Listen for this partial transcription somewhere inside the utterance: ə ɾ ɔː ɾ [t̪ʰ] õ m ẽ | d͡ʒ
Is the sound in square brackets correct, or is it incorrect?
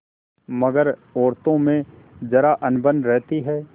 incorrect: t̪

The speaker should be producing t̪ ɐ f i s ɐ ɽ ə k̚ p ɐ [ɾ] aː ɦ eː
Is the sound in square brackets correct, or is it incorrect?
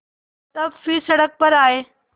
correct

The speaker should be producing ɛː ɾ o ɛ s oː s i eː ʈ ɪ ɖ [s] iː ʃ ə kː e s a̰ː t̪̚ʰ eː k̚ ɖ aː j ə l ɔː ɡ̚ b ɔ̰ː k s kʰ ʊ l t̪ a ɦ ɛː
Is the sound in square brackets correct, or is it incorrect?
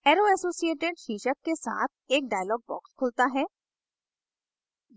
incorrect: ʃ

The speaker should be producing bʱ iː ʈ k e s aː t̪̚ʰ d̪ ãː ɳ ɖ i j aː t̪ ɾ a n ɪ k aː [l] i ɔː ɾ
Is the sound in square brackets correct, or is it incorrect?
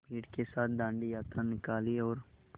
correct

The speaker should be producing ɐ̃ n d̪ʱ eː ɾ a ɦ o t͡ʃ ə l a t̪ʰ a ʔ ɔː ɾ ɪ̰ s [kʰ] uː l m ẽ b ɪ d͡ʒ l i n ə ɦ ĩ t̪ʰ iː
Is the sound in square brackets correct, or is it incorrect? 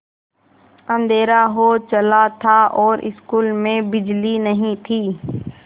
incorrect: k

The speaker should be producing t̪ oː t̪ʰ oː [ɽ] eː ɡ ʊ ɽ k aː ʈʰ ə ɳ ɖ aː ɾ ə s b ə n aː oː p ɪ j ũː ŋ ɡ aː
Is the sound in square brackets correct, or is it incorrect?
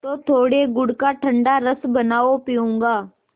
correct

